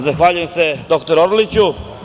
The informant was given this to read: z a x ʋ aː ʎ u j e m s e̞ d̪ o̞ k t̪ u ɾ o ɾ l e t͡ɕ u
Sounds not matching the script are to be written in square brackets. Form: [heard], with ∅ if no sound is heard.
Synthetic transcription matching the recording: z a x ʋ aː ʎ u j e m s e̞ d̪ o̞ k t̪ [o] ɾ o ɾ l [i] t͡ɕ u

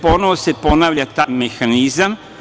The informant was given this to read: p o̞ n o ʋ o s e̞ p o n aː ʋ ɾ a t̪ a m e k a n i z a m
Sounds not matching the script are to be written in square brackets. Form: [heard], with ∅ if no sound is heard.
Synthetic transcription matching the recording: p o̞ n o ʋ o s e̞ p o n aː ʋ [ʎ] a t̪ a m e [x] a n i z a m

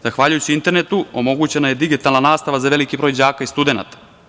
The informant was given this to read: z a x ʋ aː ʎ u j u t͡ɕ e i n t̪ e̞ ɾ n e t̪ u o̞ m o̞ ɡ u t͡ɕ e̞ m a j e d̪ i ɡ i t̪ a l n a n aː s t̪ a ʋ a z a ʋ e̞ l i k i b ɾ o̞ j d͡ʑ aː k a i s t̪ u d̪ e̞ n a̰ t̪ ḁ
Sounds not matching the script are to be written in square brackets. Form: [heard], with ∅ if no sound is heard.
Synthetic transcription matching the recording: z a x ʋ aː ʎ u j u t͡ɕ [i] i n t̪ e̞ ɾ n e t̪ u o̞ m o̞ ɡ u t͡ɕ e̞ [n] a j e d̪ i ɡ i t̪ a l n a n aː s t̪ a ʋ a z a ʋ e̞ l i k i b ɾ o̞ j d͡ʑ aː k a i s t̪ u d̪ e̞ n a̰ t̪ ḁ

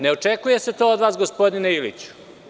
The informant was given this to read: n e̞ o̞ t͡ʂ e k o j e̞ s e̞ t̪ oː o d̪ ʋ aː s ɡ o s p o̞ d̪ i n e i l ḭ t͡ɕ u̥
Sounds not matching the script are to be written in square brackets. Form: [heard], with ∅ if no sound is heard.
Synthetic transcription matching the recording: n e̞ o̞ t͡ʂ e k [u] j e̞ s e̞ t̪ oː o d̪ ʋ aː s ɡ o s p o̞ d̪ i n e i l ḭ t͡ɕ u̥

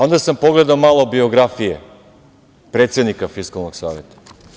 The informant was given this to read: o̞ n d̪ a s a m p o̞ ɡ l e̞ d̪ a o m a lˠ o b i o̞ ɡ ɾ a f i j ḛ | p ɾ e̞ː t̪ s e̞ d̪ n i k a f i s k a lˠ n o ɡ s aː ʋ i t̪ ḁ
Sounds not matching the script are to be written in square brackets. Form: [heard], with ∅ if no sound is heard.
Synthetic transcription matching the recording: o̞ n d̪ a s a m p o̞ ɡ l e̞ d̪ a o m a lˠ o b i o̞ ɡ ɾ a f i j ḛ | p ɾ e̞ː t̪ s e̞ d̪ n i k a f i s k a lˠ n o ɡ s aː ʋ [e] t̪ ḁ

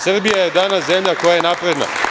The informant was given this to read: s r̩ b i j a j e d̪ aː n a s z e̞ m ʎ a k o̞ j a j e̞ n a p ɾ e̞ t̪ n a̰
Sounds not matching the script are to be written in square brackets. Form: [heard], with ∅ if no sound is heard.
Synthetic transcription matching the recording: s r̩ b i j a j e d̪ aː n a s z e̞ m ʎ a k o̞ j a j e̞ n a p ɾ e̞ [d̪] n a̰

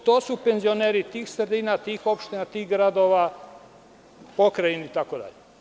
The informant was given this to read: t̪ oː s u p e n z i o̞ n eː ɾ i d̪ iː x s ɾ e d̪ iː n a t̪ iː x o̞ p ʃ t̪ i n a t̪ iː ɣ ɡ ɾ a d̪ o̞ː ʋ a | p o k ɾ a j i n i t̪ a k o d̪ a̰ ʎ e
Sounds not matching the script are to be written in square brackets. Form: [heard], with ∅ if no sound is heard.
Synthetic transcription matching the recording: t̪ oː s u p e n z i o̞ n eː ɾ i [t̪] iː x s ɾ e d̪ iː n a t̪ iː x o̞ p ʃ t̪ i n a t̪ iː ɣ ɡ ɾ a d̪ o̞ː ʋ a | p o k ɾ a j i n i t̪ a k o d̪ a̰ ʎ e

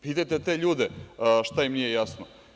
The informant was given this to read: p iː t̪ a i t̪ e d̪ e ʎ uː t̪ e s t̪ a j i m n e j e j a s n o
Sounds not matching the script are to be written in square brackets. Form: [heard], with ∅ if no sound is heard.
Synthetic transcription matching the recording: p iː t̪ a [j] t̪ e [t̪] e ʎ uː [d̪] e [ʃ] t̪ a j i m n [i] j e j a s n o

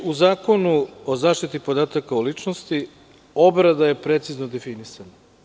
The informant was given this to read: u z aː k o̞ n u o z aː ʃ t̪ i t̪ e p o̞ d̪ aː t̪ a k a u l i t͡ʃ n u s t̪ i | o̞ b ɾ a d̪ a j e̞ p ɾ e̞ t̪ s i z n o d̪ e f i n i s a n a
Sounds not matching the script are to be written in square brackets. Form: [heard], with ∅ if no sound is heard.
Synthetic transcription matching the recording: u z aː k o̞ n u o z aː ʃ t̪ i t̪ [i] p o̞ d̪ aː t̪ a k a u l i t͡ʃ n [o] s t̪ i | o̞ b ɾ a d̪ a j e̞ p ɾ e̞ t̪ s i z n o d̪ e f i n i s a n a

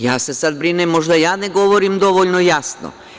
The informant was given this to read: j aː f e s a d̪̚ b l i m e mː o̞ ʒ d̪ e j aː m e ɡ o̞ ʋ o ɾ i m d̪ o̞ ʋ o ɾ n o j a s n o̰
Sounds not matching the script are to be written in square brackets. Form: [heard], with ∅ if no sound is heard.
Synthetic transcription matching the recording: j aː [s] e s a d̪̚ b [ɾ] i [n] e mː o̞ ʒ d̪ [a] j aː [n] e ɡ o̞ ʋ o ɾ i m d̪ o̞ ʋ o [ʎ] n o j a s n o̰

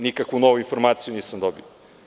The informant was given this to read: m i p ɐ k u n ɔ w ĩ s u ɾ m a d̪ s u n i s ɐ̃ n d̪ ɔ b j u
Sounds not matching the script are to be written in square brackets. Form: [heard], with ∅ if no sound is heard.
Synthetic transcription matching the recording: [n] i [k] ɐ k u n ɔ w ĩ [f] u ɾ m a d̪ s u n i s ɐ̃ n d̪ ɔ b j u

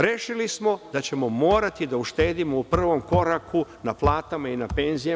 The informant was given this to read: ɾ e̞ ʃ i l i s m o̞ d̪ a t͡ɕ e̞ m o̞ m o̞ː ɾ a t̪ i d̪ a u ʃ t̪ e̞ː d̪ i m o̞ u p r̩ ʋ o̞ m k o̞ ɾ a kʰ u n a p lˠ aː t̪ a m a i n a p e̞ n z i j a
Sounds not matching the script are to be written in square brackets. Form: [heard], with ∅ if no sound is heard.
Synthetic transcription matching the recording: ɾ e̞ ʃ i l i s m o̞ d̪ a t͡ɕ e̞ m o̞ m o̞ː ɾ a t̪ i d̪ a u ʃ t̪ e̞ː d̪ i m o̞ u p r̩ ʋ o̞ m k o̞ ɾ a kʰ u n a p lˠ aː t̪ a m a i n a p e̞ n z i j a

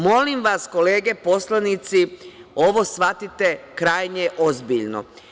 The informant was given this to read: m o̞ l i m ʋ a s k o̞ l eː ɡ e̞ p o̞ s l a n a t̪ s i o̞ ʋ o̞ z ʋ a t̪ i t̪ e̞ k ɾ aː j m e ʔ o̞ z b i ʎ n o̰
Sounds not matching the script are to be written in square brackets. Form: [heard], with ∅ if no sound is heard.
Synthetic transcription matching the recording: m o̞ l i m ʋ a s k o̞ l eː ɡ e̞ p o̞ s l a n [i] t̪ s i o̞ ʋ o̞ [s] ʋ a t̪ i t̪ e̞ k ɾ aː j [ɲ] e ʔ o̞ z b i ʎ n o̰

